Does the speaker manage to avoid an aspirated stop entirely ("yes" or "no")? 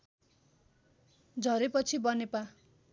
no